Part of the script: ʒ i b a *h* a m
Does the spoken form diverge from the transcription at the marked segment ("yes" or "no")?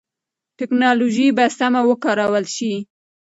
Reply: yes